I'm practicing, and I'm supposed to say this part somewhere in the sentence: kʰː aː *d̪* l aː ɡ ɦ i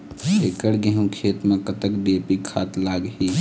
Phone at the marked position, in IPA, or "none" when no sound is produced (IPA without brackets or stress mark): t̪